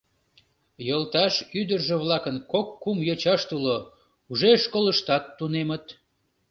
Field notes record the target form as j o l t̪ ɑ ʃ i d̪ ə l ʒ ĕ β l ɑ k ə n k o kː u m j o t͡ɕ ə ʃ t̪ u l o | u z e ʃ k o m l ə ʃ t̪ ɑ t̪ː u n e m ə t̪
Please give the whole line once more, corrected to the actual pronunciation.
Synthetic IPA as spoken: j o l t̪ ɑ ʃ y d̪ ə r ʒ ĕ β l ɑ k ə n k o kː u m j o t͡ɕ ɑ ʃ t̪ u l o | u ʒ e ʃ k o l ə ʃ t̪ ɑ t̪ː u n e m ə t̪